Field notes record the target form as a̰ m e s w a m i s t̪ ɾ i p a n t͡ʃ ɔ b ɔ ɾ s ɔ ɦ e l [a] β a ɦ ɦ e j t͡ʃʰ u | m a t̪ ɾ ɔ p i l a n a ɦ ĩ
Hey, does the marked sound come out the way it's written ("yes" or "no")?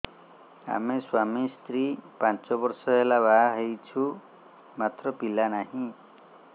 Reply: yes